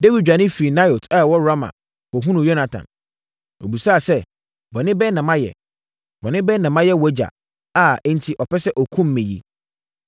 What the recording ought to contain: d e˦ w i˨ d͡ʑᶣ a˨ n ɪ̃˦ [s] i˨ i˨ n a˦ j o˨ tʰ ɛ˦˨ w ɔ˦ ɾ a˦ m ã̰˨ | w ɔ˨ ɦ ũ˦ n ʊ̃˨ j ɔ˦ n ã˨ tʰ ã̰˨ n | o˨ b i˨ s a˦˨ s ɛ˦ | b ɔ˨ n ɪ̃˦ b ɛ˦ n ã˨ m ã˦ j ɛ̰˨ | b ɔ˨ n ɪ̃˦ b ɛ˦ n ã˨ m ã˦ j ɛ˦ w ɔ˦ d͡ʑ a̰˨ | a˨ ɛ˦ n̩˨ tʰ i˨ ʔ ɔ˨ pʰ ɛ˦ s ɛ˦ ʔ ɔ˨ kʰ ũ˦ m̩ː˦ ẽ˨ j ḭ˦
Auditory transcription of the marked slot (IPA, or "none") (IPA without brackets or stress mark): f